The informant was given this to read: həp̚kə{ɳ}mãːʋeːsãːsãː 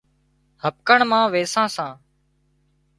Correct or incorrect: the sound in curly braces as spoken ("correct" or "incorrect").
correct